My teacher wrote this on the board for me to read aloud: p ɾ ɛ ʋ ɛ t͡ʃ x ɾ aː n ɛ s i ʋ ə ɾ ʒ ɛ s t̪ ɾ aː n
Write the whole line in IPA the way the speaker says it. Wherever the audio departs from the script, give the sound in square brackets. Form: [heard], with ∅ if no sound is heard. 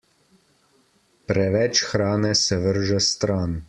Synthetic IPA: p ɾ ɛ ʋ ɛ t͡ʃ x ɾ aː n ɛ s [ɛ] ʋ ə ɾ ʒ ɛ s t̪ ɾ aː n